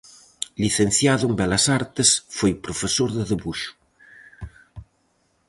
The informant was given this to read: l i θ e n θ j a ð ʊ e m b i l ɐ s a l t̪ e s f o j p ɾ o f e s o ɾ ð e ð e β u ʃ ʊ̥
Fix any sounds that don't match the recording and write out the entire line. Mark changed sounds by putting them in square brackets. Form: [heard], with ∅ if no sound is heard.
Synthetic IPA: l i θ e n θ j a ð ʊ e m b [ɛ] l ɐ s a [ɾ] t̪ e s f o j p ɾ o f e s o ɾ ð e ð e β u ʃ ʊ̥